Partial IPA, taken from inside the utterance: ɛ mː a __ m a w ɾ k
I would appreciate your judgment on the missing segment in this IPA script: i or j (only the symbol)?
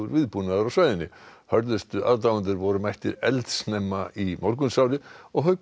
i